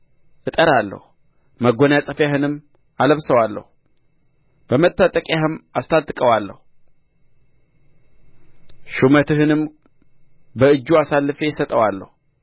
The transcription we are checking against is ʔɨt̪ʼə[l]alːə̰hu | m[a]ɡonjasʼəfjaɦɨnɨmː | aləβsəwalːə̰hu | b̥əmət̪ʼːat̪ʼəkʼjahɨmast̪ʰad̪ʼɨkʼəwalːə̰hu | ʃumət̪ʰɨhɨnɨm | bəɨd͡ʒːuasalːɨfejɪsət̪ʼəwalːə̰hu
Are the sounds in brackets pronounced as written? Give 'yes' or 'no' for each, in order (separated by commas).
no, no